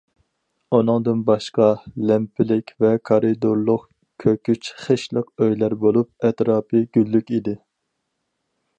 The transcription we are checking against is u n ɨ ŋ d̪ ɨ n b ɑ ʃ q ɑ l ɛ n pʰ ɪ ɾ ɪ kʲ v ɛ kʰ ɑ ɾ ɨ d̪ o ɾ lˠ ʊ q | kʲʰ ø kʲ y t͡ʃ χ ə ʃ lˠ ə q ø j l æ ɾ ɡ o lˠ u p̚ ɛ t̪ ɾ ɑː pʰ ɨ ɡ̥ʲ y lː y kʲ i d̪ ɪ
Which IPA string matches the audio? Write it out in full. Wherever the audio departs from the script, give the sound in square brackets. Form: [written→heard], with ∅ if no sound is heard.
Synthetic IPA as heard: u n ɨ ŋ d̪ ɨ n b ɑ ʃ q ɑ l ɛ [n→m] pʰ ɪ [ɾ→l] ɪ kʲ v ɛ kʰ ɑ ɾ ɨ d̪ o ɾ lˠ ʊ q | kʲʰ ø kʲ y t͡ʃ χ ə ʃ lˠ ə q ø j l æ ɾ [ɡ→b] o lˠ u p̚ ɛ t̪ ɾ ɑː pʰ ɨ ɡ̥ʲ y lː y kʲ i d̪ ɪ